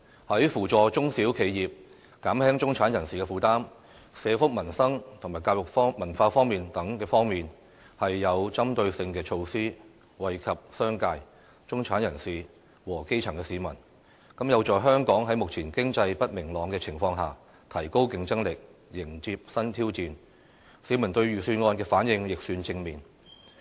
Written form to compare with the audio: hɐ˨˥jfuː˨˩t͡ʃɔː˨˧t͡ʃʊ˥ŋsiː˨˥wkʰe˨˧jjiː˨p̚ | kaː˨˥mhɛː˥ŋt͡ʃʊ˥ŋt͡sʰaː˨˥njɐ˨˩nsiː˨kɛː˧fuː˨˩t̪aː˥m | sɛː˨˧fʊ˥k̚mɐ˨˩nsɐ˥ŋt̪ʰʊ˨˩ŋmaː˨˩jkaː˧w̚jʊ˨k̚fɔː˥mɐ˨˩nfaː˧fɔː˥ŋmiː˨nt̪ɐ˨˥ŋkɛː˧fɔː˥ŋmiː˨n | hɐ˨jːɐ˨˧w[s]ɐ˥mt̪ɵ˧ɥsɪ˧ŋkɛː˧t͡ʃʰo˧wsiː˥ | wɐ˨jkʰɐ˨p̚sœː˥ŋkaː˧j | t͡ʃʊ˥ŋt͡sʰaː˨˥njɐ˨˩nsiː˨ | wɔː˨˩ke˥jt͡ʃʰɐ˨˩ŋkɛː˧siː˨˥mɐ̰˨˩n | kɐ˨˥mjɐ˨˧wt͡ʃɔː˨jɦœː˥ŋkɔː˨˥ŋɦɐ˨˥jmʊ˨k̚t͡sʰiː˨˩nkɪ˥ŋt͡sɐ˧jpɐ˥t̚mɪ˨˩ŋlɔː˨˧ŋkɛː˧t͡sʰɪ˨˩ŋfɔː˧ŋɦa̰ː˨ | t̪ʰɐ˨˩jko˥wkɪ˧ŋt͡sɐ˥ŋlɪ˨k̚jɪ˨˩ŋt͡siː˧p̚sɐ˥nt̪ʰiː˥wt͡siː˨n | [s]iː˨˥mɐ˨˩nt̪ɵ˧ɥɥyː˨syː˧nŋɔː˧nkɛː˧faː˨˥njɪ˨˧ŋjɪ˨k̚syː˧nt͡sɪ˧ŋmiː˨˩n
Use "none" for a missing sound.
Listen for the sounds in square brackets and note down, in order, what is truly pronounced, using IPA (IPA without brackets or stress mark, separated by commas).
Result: t͡s, s